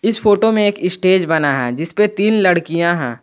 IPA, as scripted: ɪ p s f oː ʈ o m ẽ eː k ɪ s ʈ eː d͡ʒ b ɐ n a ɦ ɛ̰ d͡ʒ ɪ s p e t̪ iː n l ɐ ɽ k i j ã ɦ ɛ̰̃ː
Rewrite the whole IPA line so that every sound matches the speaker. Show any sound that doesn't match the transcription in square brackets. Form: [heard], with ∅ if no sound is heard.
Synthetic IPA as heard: ɪ [∅] s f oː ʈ o m ẽ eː k ɪ s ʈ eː d͡ʒ b ɐ n a ɦ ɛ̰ d͡ʒ ɪ s p e t̪ iː n l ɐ ɽ k i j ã ɦ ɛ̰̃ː